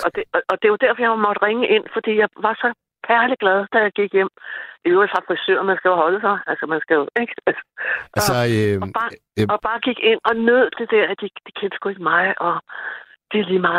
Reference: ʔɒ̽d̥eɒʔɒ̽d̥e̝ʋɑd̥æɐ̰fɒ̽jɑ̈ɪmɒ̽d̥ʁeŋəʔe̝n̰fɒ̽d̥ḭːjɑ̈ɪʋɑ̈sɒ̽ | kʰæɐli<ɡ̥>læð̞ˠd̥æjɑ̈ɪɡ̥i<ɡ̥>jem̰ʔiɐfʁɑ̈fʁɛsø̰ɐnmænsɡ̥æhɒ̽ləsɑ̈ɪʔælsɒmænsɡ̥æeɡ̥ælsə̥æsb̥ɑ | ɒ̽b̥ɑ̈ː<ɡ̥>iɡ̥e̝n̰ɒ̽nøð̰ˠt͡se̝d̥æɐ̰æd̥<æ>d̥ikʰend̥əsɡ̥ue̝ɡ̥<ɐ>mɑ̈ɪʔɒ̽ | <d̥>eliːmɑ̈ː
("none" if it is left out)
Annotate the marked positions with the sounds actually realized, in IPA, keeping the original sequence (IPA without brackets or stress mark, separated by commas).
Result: ɡ̥, ɡ̥, ɡ̥, i, ə, d̥